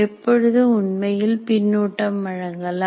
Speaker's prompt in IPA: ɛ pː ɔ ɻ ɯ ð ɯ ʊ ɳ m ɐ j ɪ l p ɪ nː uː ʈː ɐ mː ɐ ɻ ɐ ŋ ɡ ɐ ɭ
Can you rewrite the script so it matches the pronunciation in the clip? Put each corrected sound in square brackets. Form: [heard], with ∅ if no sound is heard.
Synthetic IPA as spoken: ɛ pː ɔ ɻ ɯ ð ɯ ʊ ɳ m ɐ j ɪ l p ɪ nː uː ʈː ɐ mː ɐ ɻ ɐ ŋ ɡ ɐ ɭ